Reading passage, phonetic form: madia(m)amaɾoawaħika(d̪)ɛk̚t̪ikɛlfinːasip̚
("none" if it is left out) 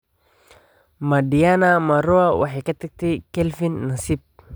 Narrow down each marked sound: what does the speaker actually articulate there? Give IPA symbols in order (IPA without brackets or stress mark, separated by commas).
n, t̪